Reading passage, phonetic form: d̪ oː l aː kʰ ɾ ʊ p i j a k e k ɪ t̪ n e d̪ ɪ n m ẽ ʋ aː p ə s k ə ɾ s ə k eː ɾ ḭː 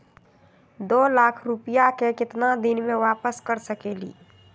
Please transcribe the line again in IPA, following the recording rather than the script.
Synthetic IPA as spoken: d̪ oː l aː kʰ ɾ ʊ p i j a k e k ɪ t̪ n a d̪ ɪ n m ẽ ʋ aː p ə s k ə ɾ s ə k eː l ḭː